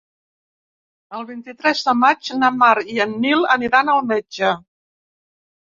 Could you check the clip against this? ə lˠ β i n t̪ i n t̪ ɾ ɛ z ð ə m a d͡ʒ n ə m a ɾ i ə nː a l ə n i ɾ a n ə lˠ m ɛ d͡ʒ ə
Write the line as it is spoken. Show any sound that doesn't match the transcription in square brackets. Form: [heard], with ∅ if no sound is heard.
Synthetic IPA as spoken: ə lˠ β i n t̪ i [∅] t̪ ɾ ɛ z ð ə m a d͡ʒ n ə m a ɾ i ə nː [i] l ə n i ɾ a n ə lˠ m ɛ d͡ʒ ə